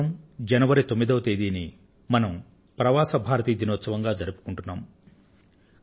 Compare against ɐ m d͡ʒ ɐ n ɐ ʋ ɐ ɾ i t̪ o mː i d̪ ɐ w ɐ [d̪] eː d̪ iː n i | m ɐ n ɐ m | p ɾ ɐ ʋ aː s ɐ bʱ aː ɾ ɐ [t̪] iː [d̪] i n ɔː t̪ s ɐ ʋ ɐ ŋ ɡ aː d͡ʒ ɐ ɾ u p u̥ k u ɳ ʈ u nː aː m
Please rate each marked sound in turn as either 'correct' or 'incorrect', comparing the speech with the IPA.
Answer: incorrect, correct, correct

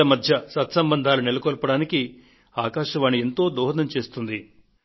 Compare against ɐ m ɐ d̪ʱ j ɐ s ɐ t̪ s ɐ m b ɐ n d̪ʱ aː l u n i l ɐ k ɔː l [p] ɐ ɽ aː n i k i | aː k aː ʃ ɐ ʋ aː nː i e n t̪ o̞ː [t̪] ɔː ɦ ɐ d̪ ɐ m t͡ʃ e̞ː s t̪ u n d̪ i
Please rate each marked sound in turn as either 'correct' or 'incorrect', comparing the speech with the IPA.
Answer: correct, incorrect

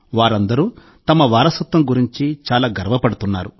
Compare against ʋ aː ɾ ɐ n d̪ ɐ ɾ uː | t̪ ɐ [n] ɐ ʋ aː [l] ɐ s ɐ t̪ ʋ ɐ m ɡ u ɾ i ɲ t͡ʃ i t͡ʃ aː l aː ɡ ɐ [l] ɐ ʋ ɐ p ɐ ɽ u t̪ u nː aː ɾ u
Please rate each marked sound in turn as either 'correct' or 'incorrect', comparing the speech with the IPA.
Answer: incorrect, incorrect, incorrect

